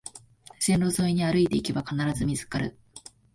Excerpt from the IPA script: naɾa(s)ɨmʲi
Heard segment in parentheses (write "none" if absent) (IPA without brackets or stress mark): z